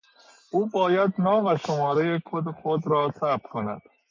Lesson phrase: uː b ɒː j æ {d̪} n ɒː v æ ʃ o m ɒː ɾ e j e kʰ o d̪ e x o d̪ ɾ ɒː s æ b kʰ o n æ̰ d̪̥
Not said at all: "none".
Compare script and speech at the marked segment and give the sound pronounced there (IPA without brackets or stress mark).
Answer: d̪